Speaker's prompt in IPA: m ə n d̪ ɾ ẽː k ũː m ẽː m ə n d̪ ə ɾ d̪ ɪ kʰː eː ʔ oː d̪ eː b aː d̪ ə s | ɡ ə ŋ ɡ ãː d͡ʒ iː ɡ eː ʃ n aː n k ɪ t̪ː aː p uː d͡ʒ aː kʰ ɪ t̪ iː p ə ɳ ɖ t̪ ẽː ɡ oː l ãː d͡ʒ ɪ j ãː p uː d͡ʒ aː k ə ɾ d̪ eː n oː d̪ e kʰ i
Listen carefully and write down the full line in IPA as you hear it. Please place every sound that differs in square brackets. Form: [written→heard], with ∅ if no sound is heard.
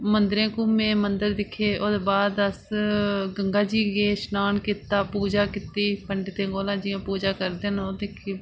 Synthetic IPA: m ə n d̪ ɾ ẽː k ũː m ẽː m ə n d̪ ə ɾ d̪ ɪ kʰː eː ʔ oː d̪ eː b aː d̪ ə s | ɡ ə ŋ ɡ [ãː→aː] d͡ʒ iː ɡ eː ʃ n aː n k ɪ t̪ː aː p uː d͡ʒ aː [kʰ→k] ɪ t̪ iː p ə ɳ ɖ t̪ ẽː ɡ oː l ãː d͡ʒ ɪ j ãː p uː d͡ʒ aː k ə ɾ d̪ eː n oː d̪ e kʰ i

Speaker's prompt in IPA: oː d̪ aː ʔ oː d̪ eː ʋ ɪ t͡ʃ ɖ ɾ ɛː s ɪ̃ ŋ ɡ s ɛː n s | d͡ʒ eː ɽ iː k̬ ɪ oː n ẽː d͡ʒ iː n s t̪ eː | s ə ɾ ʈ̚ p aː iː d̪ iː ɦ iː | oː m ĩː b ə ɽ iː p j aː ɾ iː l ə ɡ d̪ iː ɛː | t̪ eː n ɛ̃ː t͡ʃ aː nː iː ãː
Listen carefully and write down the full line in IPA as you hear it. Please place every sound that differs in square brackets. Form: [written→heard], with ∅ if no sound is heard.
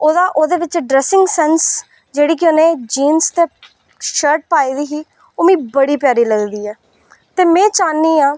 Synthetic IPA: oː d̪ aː ʔ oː d̪ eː ʋ ɪ t͡ʃ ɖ ɾ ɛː s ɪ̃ ŋ ɡ s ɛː n s | d͡ʒ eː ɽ iː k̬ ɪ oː n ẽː d͡ʒ iː n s t̪ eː | [s→ʃ] ə ɾ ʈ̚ p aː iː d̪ iː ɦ iː | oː m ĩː b ə ɽ iː p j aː ɾ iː l ə ɡ d̪ iː ɛː | t̪ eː [n→m] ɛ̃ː t͡ʃ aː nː iː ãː

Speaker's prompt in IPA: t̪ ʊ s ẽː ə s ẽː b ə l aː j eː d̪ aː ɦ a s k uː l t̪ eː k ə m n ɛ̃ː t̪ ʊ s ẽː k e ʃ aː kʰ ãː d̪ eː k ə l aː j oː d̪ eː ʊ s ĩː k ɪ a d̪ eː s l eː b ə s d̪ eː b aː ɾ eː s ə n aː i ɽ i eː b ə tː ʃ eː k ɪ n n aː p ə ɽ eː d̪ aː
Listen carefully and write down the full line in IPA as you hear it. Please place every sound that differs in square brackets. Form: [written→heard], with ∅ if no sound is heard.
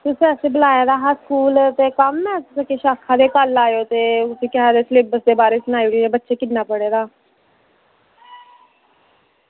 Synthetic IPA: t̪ ʊ s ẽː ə s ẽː b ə l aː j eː d̪ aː ɦ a s k uː l t̪ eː k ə m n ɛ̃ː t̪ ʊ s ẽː k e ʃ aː kʰ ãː d̪ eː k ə l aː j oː [d̪→t̪] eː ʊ s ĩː k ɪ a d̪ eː s l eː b ə s d̪ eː b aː ɾ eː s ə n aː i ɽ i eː b ə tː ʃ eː k ɪ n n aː p ə ɽ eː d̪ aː

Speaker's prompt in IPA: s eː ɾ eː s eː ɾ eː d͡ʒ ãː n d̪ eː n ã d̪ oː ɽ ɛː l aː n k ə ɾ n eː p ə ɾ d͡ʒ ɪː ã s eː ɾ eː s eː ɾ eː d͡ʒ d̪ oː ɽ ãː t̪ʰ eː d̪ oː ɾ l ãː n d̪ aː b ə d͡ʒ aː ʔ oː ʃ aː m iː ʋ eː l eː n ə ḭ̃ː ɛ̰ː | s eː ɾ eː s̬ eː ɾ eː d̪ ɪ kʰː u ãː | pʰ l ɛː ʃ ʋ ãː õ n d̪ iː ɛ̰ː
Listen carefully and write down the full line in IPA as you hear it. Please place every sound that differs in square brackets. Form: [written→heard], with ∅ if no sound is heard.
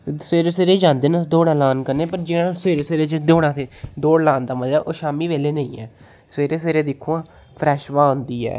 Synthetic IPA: s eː ɾ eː s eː ɾ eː d͡ʒ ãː n d̪ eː n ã d̪ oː ɽ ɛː l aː n k ə ɾ n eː p ə ɾ d͡ʒ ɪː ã s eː ɾ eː s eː ɾ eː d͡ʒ d̪ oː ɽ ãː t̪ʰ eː d̪ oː [ɾ→ɽ] l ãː n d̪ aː [b→m] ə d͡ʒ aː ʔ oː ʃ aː m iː ʋ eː l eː n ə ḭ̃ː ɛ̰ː | s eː ɾ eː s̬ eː ɾ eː d̪ ɪ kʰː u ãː | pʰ [l→ɾ] ɛː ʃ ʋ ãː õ n d̪ iː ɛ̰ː

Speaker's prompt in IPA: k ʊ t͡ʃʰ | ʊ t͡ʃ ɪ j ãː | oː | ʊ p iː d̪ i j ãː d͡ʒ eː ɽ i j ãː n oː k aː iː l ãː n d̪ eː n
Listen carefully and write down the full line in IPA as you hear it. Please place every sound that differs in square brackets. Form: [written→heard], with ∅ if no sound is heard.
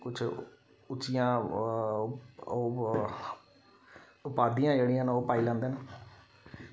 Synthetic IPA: k ʊ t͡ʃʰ | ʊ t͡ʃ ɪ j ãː | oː | ʊ p [iː→aː] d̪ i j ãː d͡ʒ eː ɽ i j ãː n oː [k→p] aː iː l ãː n d̪ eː n

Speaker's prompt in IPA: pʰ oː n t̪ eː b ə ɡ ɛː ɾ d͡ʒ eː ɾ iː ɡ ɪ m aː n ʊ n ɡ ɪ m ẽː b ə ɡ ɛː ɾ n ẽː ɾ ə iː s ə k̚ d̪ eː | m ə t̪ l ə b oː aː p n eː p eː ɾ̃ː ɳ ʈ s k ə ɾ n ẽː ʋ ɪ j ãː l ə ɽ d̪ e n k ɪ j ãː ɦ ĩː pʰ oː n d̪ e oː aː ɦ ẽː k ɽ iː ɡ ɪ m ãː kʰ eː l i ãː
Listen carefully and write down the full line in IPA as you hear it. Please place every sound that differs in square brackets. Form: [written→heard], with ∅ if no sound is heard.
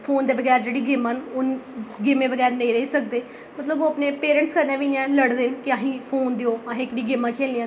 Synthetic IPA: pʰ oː n [t̪→d̪] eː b ə ɡ ɛː ɾ d͡ʒ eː [ɾ→ɽ] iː ɡ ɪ m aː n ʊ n ɡ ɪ m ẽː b ə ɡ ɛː ɾ n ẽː ɾ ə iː s ə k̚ d̪ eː | m ə t̪ l ə b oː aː p n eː p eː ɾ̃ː ɳ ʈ s k ə ɾ n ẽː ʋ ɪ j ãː l ə ɽ d̪ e n k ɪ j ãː ɦ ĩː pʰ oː n d̪ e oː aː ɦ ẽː k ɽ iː ɡ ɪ m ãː kʰ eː l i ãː

